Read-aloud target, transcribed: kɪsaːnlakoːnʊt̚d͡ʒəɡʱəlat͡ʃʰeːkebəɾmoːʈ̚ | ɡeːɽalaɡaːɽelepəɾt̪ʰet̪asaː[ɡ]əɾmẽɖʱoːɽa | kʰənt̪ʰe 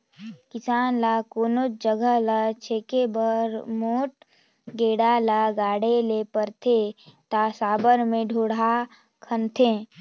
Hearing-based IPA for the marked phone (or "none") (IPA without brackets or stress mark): b